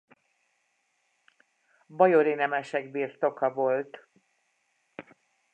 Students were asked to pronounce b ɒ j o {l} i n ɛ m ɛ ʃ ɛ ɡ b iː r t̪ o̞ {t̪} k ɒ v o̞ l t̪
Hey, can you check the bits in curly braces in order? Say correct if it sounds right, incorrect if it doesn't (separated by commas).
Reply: incorrect, incorrect